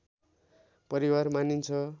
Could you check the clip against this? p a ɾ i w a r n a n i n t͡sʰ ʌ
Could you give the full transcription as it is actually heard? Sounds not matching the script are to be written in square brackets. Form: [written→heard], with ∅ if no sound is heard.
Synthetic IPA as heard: p [a→ʌ] ɾ i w a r [n→m] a n i n t͡sʰ ʌ